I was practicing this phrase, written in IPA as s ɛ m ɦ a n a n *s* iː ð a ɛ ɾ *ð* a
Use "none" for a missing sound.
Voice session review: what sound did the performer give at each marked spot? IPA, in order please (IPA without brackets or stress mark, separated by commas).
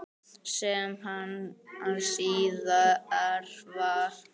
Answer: s, v